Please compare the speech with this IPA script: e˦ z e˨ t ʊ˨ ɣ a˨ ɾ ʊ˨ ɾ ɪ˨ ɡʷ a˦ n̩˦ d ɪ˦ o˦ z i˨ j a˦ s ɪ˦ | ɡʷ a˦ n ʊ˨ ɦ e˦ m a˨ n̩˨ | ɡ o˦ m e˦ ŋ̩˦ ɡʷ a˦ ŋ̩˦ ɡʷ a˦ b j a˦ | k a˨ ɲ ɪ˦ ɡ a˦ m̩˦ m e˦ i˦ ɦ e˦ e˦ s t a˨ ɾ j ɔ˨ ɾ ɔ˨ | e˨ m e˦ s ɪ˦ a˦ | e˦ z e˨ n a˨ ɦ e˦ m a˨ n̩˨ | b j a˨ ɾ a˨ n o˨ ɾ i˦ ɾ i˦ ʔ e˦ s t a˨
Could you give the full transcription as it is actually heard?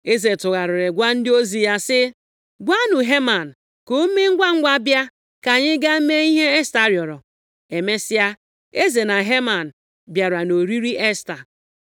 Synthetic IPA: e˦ z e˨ t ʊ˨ ɣ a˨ ɾ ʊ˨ ɾ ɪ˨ ɡʷ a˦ n̩˦ d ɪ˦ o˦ z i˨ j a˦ s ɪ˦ | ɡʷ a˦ n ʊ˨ ɦ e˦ m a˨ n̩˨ | k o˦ m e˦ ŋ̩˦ ɡʷ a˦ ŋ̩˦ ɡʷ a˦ b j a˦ | k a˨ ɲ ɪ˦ ɡ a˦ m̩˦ m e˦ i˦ ɦ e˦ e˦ s t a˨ ɾ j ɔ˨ ɾ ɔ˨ | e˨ m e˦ s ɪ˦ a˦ | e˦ z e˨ n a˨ ɦ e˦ m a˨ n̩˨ | b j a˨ ɾ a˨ n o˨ ɾ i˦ ɾ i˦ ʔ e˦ s t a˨